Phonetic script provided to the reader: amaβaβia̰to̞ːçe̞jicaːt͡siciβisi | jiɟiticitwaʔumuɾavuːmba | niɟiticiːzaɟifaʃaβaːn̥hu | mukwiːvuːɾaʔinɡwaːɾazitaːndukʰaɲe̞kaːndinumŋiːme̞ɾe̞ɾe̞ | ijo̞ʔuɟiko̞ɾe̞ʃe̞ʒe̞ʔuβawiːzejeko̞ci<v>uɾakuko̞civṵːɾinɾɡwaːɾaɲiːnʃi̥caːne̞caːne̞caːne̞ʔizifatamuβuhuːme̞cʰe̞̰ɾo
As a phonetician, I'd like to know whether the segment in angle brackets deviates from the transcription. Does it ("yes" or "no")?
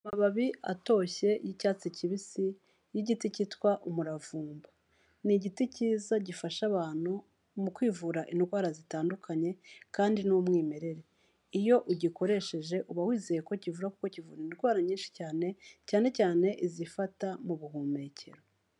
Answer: no